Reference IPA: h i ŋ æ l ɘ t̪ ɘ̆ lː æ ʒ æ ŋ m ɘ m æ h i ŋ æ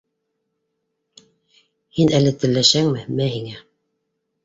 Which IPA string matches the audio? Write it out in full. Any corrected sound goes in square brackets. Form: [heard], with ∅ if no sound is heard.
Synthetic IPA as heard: h i [n] æ l ɘ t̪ ɘ̆ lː æ [ʃ] æ ŋ m ɘ m æ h i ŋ æ